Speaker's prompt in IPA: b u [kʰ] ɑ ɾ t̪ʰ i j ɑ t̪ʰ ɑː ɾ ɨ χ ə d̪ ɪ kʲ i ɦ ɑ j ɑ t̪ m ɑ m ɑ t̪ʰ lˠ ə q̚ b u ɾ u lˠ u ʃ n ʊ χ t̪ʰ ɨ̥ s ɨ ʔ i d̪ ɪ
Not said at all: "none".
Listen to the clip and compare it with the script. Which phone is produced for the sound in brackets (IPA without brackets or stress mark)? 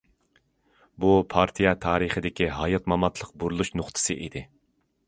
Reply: pʰ